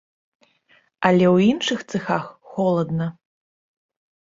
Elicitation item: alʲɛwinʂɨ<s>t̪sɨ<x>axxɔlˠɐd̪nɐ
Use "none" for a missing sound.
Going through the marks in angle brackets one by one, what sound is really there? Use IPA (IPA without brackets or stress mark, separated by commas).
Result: x, x